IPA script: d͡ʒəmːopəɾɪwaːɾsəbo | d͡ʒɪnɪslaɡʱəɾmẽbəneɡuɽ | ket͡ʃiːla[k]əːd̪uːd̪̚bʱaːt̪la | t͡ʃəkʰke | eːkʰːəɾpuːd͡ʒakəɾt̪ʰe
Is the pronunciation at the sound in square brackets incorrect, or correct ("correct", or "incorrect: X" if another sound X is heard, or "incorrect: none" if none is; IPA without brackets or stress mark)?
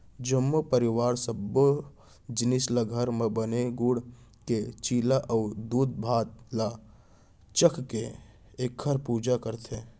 incorrect: ʔ